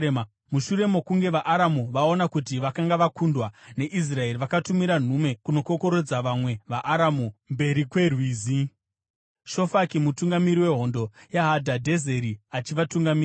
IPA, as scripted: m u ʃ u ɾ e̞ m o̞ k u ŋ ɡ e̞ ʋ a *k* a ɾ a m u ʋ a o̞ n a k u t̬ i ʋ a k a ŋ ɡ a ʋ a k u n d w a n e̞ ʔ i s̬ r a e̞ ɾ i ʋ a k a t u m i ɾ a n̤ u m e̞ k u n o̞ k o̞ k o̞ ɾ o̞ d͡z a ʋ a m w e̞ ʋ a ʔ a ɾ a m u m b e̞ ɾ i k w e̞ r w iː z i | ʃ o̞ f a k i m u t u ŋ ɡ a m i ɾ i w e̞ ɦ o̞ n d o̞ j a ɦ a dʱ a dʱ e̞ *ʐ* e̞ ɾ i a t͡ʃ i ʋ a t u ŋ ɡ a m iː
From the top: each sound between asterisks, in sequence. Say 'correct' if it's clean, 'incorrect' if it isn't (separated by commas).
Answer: incorrect, incorrect